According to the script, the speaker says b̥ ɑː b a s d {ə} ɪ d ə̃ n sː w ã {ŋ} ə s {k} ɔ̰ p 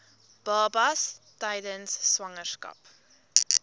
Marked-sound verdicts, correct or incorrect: incorrect: a, correct, correct

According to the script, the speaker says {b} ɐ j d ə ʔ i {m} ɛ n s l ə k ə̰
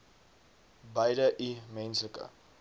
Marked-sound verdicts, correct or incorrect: correct, correct

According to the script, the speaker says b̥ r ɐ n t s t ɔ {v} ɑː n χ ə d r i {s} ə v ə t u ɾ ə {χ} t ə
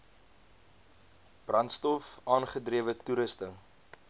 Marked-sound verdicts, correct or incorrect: incorrect: f, incorrect: none, incorrect: s

